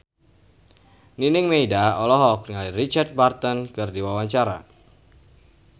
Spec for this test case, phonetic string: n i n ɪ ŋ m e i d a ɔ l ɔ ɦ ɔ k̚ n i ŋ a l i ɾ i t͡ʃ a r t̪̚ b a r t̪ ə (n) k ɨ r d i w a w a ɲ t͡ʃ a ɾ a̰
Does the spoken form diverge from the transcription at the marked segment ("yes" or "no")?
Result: no